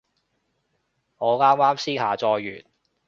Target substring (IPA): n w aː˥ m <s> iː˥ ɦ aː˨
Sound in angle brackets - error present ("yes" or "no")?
no